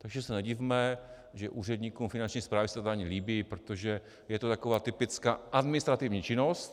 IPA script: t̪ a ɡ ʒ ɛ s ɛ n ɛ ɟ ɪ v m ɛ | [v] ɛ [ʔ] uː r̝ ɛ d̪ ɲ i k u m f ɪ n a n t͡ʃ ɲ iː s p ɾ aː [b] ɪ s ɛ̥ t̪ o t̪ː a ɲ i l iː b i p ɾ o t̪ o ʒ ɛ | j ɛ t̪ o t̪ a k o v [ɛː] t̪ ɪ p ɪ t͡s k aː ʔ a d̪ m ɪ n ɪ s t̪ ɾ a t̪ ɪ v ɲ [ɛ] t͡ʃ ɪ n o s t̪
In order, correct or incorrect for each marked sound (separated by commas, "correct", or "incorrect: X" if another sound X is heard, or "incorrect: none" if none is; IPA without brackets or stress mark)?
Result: incorrect: ʒ, correct, incorrect: v, incorrect: aː, incorrect: i